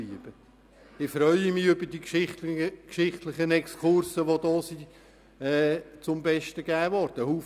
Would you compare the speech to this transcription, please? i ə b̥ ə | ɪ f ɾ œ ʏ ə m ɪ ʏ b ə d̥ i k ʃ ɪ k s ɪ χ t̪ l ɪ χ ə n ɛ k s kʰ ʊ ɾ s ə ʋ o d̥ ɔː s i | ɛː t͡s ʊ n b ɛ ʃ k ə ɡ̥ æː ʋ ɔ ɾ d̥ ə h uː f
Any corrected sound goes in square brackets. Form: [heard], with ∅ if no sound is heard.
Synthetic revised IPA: i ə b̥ ə | ɪ f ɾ œ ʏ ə m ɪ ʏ b ə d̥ i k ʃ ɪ k [ʃ] ɪ χ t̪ l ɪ χ ə n ɛ k s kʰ ʊ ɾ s ə ʋ o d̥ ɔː s i | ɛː t͡s ʊ [m] b ɛ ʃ [t] ə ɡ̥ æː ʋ ɔ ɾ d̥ ə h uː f